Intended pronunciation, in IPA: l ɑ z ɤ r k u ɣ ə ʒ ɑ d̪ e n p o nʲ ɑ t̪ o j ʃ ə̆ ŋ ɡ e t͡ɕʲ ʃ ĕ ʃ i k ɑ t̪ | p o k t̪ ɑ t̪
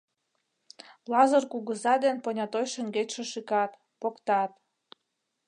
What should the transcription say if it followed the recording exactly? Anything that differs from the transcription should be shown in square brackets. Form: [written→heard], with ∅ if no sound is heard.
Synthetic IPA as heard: l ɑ z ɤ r k u ɣ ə [ʒ→z] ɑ d̪ e n p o nʲ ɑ t̪ o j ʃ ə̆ ŋ ɡ e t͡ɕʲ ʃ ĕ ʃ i k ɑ t̪ | p o k t̪ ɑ t̪